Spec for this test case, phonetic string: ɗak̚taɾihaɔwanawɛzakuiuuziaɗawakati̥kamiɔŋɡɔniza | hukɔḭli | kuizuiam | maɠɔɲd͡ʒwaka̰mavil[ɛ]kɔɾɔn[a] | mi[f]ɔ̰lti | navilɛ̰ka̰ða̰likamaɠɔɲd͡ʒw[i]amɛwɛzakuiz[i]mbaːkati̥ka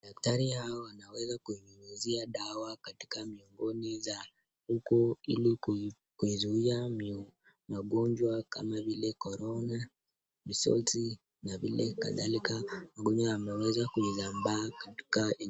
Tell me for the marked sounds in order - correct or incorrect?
correct, correct, incorrect, incorrect, incorrect

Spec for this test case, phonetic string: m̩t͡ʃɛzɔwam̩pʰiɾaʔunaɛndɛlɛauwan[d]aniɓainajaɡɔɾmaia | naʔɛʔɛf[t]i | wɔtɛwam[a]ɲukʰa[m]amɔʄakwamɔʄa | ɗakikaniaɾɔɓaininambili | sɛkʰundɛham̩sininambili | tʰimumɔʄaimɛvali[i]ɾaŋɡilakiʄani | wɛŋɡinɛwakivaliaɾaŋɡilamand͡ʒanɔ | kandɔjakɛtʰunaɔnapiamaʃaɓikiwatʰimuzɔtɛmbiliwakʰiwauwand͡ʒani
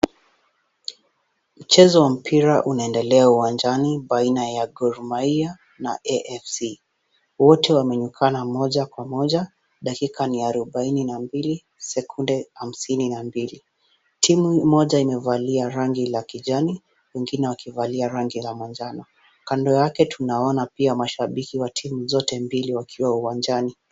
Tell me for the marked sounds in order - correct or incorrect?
incorrect, incorrect, incorrect, incorrect, incorrect

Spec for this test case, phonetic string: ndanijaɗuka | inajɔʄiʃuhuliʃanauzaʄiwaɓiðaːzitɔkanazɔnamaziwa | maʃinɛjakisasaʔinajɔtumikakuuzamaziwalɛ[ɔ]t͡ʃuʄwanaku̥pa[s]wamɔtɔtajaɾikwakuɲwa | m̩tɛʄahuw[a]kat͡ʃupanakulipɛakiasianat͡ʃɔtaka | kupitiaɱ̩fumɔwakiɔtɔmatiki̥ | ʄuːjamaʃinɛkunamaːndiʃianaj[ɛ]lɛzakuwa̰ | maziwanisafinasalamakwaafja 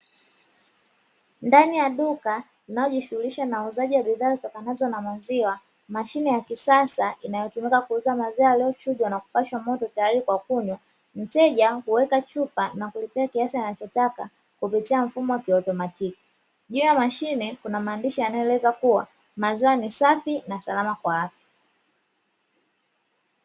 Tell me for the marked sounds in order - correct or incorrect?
correct, incorrect, incorrect, correct

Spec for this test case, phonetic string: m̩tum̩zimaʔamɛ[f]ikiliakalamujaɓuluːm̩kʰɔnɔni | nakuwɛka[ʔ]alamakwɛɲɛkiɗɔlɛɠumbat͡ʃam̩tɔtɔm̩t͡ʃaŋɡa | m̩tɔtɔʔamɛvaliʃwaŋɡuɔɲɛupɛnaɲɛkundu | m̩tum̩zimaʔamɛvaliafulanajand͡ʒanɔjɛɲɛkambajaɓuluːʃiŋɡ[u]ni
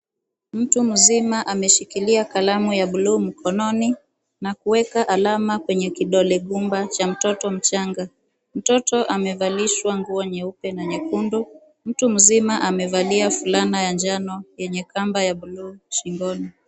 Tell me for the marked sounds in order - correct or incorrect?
incorrect, correct, incorrect

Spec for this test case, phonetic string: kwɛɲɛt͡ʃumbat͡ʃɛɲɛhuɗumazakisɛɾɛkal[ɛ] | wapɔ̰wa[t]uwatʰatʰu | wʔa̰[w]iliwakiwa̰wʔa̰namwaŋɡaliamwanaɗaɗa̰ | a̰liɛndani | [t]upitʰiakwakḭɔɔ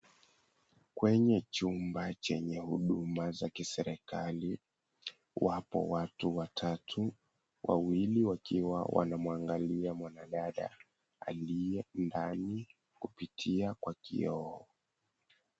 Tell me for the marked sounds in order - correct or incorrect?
incorrect, correct, correct, incorrect

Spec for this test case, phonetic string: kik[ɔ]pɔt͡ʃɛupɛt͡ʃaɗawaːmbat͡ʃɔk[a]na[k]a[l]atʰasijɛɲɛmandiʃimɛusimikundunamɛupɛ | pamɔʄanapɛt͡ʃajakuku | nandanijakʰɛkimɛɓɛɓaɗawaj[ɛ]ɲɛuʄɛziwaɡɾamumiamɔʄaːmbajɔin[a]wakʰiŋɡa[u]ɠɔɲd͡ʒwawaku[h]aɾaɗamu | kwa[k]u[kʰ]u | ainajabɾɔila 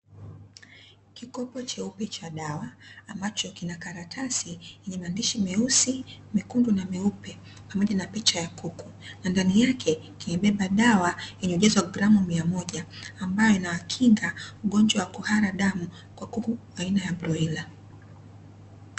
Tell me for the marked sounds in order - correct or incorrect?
correct, incorrect, correct, incorrect, correct, correct, correct, correct, correct, incorrect

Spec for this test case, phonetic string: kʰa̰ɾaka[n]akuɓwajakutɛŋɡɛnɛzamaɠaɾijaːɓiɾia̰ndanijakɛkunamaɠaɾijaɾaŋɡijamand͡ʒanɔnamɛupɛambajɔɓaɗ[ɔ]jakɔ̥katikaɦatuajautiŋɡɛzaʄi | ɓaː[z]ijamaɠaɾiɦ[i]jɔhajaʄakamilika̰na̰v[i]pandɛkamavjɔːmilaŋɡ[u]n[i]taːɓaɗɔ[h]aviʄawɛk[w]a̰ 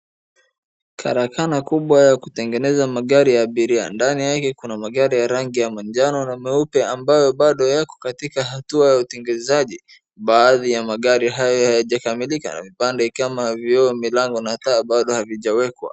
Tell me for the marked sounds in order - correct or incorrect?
correct, correct, incorrect, incorrect, correct, incorrect, incorrect, correct, correct

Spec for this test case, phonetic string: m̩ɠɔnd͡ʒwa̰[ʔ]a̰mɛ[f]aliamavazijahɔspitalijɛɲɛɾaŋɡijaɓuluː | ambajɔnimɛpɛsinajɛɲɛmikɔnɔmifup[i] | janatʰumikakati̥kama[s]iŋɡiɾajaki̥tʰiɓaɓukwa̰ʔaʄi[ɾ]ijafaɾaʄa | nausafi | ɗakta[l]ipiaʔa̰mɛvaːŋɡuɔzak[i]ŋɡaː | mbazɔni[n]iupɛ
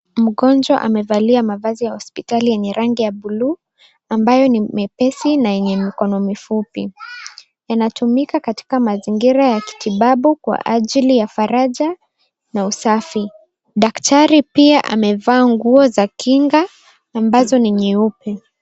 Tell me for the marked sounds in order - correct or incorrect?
correct, incorrect, correct, incorrect, incorrect, incorrect, correct, incorrect

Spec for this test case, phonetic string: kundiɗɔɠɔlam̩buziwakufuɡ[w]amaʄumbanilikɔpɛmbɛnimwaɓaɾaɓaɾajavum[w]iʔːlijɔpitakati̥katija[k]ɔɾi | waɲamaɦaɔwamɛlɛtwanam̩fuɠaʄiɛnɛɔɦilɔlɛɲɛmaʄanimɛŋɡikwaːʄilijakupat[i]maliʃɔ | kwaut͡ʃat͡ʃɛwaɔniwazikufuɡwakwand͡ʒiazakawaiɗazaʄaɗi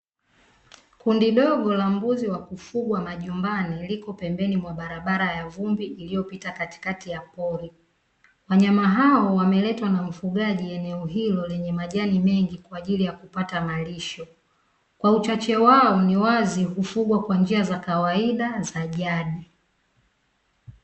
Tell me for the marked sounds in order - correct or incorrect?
correct, incorrect, incorrect, incorrect

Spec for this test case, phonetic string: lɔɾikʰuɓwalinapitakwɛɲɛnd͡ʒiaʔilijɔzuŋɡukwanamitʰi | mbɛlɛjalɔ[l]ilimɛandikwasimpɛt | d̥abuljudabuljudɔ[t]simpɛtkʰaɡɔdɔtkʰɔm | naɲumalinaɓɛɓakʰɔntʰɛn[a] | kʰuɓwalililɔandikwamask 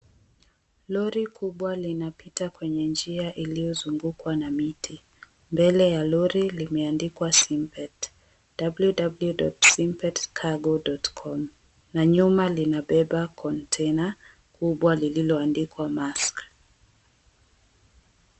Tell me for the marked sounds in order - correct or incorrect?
incorrect, correct, correct

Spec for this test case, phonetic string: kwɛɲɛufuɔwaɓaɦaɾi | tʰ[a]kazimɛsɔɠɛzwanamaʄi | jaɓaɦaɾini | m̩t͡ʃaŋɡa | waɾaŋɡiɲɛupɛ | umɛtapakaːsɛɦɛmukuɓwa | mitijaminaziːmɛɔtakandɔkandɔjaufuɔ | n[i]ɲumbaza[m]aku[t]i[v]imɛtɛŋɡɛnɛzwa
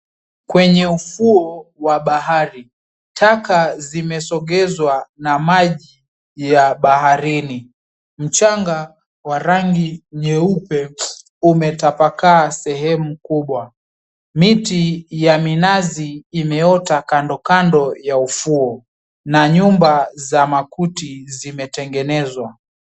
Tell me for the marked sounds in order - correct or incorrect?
correct, incorrect, correct, correct, incorrect

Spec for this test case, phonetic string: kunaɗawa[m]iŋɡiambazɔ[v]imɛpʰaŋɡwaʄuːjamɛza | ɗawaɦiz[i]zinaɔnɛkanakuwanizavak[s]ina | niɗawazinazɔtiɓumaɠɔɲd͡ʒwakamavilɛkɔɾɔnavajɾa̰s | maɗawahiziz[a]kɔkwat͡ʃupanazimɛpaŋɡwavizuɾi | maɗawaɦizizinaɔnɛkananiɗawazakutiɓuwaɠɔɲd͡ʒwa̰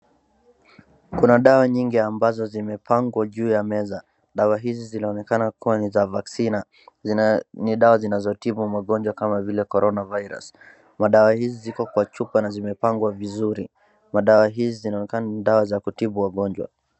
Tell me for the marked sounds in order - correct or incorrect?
incorrect, incorrect, correct, correct, incorrect

